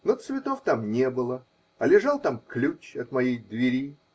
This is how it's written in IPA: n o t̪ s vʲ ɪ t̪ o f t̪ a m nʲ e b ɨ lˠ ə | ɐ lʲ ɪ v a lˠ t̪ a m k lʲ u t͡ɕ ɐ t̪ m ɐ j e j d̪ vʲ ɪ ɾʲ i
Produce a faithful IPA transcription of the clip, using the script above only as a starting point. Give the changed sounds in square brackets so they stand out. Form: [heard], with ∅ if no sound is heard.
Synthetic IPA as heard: n o t̪ s vʲ ɪ t̪ o f t̪ a m nʲ e b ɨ lˠ ə | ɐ lʲ ɪ [ʐ] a lˠ t̪ a m k lʲ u t͡ɕ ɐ t̪ m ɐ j e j d̪ vʲ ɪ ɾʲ i